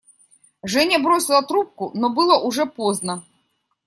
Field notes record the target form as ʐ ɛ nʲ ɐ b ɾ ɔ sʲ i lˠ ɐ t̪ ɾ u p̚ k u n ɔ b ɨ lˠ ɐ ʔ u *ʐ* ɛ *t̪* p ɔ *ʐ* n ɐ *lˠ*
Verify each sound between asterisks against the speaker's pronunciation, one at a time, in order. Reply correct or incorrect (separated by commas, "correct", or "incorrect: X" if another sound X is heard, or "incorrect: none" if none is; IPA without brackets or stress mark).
correct, incorrect: none, incorrect: z, incorrect: none